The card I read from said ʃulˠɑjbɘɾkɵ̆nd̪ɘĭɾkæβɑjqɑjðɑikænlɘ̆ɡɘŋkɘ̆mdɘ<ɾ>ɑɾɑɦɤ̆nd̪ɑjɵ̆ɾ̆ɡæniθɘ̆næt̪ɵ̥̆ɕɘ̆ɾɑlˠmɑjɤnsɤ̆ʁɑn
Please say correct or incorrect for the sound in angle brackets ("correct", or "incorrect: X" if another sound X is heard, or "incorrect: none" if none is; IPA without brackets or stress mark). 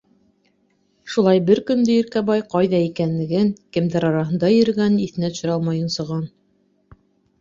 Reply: correct